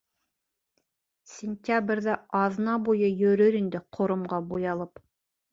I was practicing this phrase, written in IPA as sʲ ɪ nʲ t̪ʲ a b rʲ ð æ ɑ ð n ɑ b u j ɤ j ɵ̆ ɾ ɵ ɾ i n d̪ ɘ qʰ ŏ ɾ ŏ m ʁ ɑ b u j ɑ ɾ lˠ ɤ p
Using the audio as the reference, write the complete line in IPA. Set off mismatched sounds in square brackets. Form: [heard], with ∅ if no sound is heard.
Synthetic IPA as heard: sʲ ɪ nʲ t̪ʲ a b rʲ ð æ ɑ ð n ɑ b u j ɤ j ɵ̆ ɾ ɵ ɾ i n d̪ ɘ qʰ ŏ ɾ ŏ m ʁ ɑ b u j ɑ [∅] lˠ ɤ p